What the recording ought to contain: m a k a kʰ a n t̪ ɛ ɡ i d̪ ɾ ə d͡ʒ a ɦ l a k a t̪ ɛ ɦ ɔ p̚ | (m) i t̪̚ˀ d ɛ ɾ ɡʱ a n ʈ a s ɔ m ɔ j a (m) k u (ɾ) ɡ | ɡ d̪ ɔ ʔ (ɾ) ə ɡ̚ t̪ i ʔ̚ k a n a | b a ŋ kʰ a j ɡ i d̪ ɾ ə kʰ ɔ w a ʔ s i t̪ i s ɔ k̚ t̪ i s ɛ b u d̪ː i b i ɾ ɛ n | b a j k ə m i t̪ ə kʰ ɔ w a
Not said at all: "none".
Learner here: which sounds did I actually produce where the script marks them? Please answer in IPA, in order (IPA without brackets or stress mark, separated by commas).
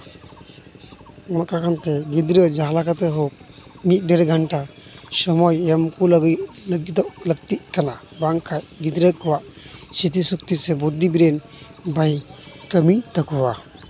m, m, l, l